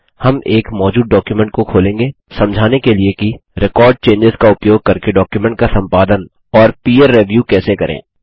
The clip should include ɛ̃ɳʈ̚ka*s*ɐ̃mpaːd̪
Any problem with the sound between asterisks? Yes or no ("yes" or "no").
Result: no